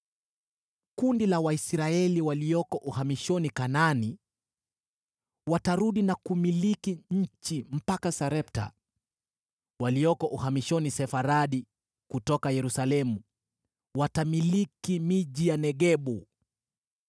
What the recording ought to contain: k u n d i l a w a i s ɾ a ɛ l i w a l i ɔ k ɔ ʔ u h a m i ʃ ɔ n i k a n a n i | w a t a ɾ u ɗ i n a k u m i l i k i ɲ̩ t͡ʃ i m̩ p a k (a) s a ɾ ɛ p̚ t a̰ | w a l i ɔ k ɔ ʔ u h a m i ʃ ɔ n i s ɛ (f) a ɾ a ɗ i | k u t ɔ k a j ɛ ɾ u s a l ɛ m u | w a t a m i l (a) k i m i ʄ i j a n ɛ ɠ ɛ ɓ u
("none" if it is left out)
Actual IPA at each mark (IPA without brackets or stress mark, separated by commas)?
a, f, i